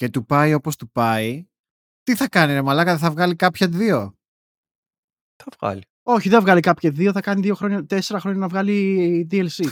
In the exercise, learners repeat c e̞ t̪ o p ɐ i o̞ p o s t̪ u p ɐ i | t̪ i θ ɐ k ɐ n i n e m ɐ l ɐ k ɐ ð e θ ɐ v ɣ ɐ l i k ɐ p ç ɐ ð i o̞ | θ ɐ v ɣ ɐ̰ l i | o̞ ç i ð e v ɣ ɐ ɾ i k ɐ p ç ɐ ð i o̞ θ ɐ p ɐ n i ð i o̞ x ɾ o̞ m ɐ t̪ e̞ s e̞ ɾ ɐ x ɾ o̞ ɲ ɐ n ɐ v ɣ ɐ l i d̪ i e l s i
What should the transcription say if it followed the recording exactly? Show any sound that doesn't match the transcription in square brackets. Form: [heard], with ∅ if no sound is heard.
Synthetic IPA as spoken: c e̞ t̪ [u] p ɐ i o̞ p o s t̪ u p ɐ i | t̪ i θ ɐ k ɐ n i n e m ɐ l ɐ k ɐ ð e θ ɐ v ɣ ɐ l i k ɐ p ç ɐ ð i o̞ | θ ɐ v ɣ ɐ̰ l i | o̞ ç i ð e v ɣ ɐ [l] i k ɐ p ç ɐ ð i o̞ θ ɐ [k] ɐ n i ð i o̞ x ɾ o̞ [ɲ] ɐ t̪ e̞ s e̞ ɾ ɐ x ɾ o̞ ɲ ɐ n ɐ v ɣ ɐ l i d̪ i e l s i